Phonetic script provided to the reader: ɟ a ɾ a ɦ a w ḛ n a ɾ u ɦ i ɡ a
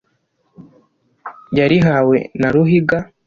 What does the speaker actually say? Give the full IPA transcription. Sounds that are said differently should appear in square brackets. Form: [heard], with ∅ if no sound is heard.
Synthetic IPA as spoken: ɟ a ɾ [i] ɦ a w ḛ n a ɾ u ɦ i ɡ a